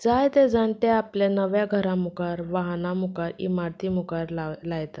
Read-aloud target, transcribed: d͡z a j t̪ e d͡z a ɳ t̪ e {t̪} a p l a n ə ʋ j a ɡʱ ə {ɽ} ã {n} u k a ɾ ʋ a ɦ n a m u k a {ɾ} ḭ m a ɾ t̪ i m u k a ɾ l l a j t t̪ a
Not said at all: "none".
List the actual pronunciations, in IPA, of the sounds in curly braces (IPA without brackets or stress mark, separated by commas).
none, ɾ, m, ɾ